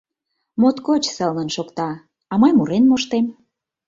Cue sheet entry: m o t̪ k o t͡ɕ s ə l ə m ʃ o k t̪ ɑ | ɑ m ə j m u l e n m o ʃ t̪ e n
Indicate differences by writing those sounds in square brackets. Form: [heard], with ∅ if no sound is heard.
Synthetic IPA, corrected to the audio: m o t̪ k o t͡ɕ s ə l ə [n] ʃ o k t̪ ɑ | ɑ m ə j m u [ɾ] e n m o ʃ t̪ e [m]